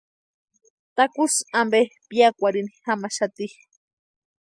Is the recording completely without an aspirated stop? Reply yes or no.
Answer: yes